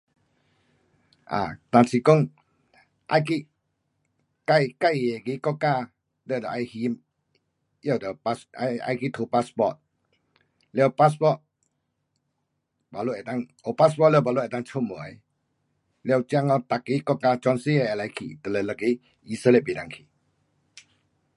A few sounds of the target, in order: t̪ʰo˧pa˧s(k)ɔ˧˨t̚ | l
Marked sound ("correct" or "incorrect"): incorrect